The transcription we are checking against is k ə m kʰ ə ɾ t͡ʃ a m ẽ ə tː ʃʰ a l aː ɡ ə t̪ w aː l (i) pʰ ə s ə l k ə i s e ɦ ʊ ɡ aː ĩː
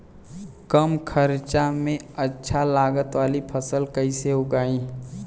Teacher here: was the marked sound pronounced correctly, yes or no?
yes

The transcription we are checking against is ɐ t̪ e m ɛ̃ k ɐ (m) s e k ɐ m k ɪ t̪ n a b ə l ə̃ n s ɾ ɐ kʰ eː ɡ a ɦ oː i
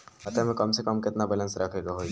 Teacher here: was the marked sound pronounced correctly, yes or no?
yes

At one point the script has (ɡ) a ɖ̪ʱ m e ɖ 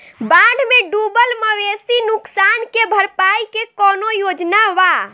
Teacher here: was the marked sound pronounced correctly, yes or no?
no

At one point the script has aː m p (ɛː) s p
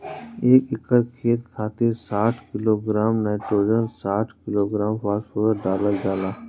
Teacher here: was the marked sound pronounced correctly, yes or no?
no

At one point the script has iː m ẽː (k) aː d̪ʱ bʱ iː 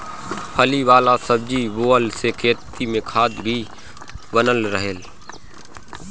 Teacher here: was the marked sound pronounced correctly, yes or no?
no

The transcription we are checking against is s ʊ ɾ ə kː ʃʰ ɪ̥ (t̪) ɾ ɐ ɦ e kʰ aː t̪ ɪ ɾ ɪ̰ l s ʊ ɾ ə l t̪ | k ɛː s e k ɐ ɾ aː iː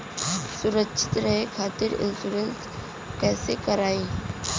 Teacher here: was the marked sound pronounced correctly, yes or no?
yes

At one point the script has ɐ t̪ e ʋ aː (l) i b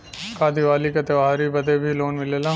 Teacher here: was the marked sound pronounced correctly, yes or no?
no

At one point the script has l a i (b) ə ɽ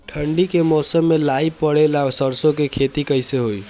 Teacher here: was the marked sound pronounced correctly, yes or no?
no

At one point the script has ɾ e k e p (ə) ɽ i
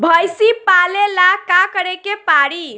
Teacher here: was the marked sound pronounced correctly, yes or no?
no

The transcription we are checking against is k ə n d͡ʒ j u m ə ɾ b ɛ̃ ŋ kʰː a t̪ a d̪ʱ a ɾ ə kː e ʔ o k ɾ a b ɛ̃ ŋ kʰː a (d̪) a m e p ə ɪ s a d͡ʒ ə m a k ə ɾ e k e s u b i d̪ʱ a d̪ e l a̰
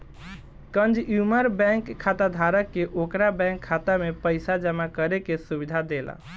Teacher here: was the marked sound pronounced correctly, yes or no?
no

